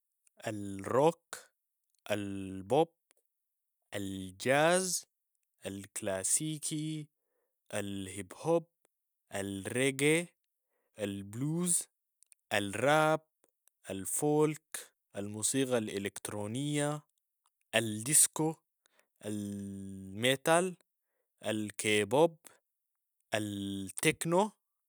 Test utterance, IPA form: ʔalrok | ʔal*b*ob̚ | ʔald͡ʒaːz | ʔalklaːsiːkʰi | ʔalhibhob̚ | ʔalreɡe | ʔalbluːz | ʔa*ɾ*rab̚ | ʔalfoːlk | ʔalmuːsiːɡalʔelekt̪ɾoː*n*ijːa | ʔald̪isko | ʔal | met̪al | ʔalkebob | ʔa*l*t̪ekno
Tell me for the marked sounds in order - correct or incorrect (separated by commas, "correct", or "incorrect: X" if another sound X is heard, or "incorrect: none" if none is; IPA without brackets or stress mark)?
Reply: correct, incorrect: l, correct, correct